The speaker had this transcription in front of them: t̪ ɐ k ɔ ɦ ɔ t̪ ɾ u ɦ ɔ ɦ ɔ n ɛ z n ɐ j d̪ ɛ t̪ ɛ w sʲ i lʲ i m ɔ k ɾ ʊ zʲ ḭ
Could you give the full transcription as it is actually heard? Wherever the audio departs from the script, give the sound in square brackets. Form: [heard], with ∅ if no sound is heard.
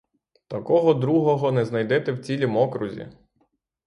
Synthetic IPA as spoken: t̪ ɐ k ɔ ɦ ɔ [d̪] ɾ u ɦ ɔ ɦ ɔ n ɛ z n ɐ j d̪ ɛ t̪ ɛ w [t͡sʲ] i lʲ i m ɔ k ɾ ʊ zʲ ḭ